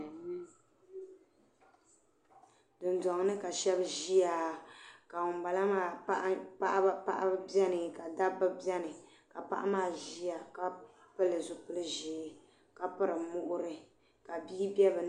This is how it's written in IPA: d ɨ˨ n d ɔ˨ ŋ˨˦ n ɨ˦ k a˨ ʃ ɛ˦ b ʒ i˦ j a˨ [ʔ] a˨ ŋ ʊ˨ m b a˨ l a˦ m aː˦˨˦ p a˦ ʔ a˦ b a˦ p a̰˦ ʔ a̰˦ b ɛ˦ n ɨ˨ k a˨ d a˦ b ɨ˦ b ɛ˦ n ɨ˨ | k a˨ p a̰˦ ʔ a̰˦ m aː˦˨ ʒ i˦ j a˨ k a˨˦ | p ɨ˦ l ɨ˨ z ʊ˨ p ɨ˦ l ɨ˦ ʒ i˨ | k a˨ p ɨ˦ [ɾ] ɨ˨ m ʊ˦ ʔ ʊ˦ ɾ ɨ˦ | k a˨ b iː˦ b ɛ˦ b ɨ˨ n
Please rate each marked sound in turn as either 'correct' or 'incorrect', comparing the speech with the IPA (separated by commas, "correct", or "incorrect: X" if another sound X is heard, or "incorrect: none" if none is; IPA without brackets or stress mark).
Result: incorrect: k, correct